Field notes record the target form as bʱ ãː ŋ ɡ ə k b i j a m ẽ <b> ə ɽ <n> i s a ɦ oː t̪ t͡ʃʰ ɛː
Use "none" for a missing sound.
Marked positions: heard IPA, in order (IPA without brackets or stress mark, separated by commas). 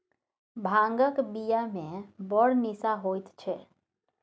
b, n